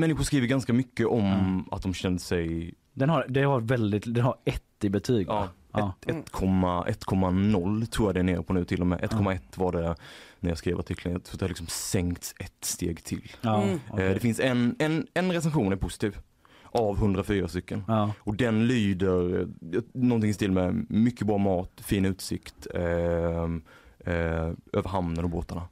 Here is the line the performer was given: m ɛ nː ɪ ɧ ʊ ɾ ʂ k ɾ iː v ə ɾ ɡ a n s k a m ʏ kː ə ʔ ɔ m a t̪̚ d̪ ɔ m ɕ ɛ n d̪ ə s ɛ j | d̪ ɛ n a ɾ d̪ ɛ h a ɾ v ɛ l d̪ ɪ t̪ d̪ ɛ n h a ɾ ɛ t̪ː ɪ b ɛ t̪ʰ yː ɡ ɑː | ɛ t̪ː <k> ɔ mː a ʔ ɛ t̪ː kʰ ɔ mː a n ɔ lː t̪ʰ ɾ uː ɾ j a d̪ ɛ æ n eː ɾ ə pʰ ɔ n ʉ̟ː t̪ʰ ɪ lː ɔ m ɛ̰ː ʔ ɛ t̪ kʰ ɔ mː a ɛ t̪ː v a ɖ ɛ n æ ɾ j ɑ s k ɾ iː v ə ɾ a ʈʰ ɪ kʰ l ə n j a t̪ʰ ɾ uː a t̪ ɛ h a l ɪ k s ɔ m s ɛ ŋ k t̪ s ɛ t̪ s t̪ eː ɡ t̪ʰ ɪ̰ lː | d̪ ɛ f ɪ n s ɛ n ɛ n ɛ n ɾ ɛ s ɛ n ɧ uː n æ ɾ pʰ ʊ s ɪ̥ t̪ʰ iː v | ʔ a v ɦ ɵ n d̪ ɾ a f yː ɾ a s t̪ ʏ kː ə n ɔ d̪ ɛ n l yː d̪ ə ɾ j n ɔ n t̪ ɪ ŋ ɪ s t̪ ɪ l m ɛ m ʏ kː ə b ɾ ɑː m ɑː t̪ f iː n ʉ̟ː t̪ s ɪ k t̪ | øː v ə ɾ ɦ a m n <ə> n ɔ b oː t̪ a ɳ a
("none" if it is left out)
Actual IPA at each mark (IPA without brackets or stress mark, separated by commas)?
kʰ, ə